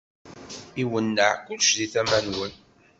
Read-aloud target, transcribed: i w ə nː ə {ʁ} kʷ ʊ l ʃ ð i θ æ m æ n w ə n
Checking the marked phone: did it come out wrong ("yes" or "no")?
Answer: yes